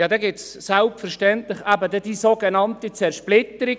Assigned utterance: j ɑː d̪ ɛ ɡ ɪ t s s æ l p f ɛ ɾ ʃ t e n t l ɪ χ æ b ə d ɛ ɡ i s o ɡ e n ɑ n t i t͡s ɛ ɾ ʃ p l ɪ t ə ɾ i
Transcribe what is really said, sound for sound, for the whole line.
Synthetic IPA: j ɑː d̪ ɛ ɡ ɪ t s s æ l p f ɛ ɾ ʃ t ɛ n t l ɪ χ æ b ə d ɛ d i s o ɡ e n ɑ n t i t͡s ɛ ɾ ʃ p l ɪ t ə ɾ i